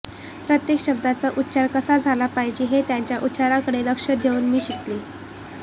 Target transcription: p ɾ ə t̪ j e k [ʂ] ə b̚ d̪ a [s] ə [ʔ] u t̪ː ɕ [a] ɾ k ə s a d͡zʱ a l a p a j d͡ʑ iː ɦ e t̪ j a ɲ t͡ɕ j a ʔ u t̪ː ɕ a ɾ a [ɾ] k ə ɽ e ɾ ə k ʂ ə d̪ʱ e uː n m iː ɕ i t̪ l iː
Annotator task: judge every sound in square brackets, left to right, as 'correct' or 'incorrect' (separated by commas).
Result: incorrect, incorrect, correct, correct, incorrect